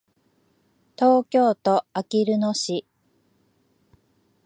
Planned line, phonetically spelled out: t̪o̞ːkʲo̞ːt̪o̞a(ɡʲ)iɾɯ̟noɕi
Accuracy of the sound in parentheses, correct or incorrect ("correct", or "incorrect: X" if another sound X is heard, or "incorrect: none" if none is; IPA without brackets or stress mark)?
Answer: incorrect: kʲ